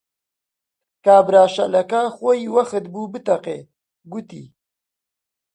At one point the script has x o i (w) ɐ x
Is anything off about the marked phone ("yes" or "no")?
no